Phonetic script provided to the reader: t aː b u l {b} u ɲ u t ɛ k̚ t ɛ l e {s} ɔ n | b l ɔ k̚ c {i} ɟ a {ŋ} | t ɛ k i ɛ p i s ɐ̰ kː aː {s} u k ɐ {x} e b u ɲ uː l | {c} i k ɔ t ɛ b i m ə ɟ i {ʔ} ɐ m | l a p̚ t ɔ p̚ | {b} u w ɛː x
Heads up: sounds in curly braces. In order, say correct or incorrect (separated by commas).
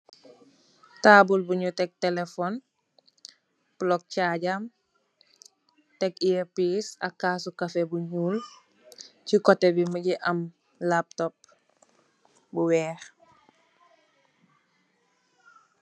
correct, incorrect, incorrect, incorrect, correct, incorrect, correct, correct, correct